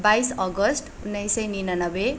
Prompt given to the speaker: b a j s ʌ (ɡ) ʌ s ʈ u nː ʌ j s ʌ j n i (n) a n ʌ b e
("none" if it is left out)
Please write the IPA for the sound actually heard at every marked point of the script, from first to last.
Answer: ɡ, n

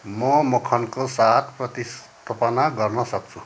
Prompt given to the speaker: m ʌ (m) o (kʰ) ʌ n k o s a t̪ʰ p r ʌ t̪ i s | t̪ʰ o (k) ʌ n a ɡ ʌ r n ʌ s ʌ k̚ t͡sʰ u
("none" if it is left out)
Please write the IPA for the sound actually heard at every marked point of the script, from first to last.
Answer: m, kʰ, p

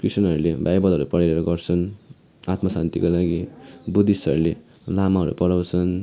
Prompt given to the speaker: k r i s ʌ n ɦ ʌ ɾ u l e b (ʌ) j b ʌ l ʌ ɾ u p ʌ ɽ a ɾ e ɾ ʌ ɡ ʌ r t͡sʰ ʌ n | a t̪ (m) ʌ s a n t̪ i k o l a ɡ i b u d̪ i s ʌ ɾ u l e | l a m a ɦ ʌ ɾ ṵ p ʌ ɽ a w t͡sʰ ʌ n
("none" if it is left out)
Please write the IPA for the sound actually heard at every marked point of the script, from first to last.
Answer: a, m

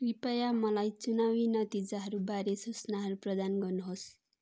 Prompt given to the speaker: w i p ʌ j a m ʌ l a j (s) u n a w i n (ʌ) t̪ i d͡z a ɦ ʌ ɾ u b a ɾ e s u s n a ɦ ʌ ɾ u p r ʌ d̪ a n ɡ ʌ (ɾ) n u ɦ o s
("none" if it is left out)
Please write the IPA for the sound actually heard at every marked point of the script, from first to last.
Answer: t͡s, ʌ, r

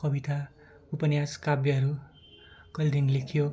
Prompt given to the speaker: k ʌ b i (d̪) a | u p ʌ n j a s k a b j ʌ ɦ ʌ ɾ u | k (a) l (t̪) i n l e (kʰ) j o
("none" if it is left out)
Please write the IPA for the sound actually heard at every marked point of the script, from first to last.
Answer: t̪, ʌ, d̪, kʰ

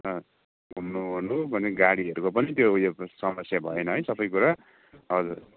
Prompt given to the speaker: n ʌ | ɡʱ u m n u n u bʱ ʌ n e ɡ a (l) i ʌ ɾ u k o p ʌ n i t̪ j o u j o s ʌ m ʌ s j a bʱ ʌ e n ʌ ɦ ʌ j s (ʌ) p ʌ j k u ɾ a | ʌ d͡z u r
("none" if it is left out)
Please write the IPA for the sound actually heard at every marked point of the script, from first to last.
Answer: ɽ, ʌ

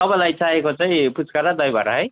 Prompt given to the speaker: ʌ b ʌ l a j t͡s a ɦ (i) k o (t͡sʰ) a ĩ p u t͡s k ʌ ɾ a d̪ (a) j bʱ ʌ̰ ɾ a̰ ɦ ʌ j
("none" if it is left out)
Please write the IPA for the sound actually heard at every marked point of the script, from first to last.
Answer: e, t͡s, ʌ

